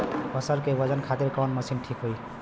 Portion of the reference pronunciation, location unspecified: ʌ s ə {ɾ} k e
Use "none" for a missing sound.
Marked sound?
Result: ɾ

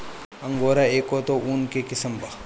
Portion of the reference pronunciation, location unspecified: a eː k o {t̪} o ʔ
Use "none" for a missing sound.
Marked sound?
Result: t̪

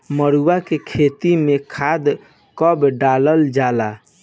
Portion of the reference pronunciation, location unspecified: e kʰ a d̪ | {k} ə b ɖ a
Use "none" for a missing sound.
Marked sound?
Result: k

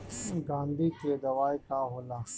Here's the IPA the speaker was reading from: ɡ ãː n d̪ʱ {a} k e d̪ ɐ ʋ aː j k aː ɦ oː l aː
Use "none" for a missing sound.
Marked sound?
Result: i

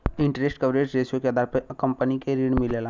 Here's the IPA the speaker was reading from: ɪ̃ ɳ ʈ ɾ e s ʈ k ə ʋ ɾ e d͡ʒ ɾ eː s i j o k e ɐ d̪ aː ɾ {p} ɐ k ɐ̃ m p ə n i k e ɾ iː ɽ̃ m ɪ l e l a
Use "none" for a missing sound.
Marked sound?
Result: p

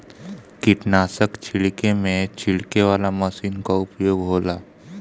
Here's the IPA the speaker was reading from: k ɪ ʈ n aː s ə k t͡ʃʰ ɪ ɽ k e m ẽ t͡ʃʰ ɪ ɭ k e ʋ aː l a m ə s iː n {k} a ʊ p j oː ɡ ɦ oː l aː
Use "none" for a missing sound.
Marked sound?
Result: k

